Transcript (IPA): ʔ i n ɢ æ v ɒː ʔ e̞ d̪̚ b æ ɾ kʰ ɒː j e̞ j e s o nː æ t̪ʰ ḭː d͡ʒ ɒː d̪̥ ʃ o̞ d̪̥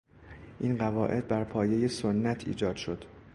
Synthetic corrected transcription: ʔ i n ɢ æ v ɒː ʔ e̞ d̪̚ b æ ɾ pʰ ɒː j e̞ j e s o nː æ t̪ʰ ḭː d͡ʒ ɒː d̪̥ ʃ o̞ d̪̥